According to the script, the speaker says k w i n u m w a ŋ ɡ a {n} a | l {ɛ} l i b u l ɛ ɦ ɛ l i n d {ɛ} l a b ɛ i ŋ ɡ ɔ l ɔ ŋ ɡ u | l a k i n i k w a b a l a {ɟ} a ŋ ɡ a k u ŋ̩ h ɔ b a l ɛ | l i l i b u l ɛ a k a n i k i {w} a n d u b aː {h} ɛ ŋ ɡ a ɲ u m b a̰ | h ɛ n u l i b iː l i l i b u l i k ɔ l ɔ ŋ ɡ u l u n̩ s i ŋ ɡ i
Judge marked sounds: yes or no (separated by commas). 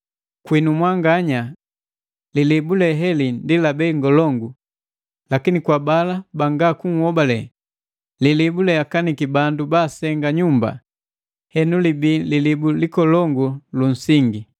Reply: no, no, no, no, no, no